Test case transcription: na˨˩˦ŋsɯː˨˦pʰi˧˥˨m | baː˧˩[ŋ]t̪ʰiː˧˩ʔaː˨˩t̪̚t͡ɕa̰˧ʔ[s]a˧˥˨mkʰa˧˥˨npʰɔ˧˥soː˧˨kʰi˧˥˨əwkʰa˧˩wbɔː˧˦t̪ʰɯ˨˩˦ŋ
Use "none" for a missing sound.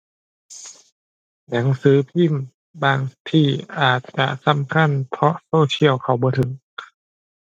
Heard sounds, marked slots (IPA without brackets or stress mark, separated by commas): ŋ, s